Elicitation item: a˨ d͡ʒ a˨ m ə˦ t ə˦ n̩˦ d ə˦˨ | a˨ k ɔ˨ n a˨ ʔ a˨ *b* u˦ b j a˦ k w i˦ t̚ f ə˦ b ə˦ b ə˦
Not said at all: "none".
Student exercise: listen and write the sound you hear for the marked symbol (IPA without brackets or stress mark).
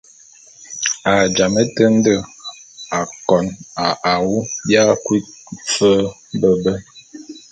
w